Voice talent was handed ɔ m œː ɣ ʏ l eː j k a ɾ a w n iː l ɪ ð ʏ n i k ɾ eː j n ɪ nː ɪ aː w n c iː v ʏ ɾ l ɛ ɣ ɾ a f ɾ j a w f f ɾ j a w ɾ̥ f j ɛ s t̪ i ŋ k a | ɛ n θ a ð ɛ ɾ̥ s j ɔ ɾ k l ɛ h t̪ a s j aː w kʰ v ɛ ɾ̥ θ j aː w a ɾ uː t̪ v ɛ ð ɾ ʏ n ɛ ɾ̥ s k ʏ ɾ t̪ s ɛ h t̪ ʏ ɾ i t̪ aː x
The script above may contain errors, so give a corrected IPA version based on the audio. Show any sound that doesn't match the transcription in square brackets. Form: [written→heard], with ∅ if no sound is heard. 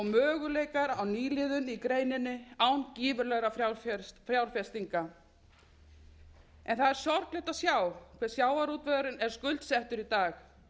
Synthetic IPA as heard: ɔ m œː ɣ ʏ l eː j k a ɾ a w n iː l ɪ ð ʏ n i k ɾ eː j n ɪ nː ɪ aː w n c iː v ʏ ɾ l ɛ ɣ ɾ a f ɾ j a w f f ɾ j a w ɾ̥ f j ɛ s t̪ i ŋ k a | ɛ n θ a ð ɛ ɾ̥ s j ɔ ɾ k l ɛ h t̪ a s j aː w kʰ v ɛ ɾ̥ [θ→s] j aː w a ɾ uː t̪ v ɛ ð ɾ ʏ n ɛ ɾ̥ s k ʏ [ɾ→l] t̪ s ɛ h t̪ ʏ ɾ i t̪ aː x